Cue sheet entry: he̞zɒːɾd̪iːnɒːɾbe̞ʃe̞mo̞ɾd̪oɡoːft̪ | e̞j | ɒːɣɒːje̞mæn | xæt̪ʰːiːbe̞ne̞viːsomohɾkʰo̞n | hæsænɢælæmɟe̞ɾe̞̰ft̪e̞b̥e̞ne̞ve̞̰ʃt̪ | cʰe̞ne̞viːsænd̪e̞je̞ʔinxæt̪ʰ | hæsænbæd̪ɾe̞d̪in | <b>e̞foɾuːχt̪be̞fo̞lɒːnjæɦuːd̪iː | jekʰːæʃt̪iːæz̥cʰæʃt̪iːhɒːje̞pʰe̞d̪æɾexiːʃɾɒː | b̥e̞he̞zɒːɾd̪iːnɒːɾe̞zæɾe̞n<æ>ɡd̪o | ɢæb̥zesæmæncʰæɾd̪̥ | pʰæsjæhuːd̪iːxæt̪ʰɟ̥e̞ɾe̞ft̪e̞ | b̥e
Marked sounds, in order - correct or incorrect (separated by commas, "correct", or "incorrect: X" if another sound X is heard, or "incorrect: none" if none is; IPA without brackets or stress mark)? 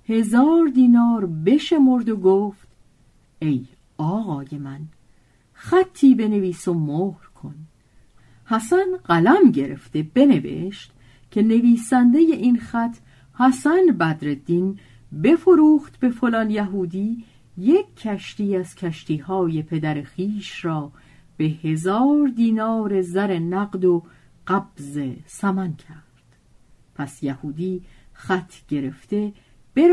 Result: correct, correct